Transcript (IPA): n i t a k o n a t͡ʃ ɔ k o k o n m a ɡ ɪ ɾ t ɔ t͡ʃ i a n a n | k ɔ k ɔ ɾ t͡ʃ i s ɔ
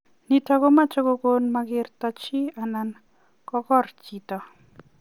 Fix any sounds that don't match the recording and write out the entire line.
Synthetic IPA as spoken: n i t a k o m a t͡ʃ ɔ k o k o n m a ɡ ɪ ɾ t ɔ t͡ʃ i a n a n | k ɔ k ɔ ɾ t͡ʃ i t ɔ